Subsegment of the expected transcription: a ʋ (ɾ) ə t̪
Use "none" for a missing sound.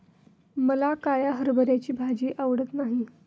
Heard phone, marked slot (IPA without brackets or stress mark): ɽ